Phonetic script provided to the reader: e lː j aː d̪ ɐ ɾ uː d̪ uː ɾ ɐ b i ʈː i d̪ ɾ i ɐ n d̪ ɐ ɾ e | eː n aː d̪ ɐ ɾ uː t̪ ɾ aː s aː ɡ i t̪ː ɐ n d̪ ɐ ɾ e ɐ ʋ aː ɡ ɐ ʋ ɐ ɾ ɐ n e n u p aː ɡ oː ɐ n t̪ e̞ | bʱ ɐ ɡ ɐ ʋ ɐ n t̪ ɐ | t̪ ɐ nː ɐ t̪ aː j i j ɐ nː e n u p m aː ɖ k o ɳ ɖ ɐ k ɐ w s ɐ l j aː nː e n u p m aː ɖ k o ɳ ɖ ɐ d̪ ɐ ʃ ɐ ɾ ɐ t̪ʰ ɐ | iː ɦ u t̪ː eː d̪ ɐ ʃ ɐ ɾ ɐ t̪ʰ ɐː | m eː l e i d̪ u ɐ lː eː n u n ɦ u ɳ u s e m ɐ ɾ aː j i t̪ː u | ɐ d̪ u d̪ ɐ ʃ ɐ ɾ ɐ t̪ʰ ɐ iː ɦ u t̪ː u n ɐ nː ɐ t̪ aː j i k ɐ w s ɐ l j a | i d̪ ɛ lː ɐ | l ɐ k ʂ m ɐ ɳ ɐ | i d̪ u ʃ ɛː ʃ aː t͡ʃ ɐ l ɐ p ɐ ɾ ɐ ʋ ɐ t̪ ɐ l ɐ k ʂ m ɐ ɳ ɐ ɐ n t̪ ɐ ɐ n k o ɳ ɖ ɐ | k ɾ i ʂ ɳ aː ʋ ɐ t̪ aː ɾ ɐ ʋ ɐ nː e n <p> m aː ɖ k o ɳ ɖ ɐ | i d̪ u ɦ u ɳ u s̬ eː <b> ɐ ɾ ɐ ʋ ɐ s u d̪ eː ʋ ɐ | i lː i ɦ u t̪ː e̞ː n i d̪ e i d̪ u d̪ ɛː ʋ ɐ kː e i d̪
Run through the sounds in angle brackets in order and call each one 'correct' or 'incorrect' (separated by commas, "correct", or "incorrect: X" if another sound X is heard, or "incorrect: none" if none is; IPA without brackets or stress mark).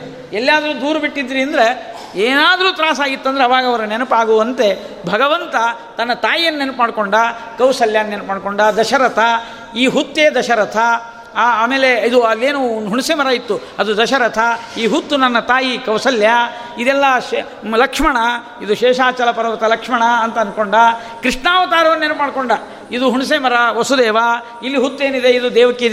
correct, incorrect: m